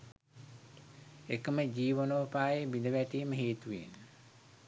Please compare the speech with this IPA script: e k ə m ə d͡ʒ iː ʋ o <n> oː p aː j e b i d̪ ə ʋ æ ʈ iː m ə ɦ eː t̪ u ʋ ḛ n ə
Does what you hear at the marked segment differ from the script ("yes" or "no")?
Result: no